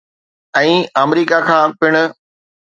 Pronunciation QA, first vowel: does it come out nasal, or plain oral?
nasal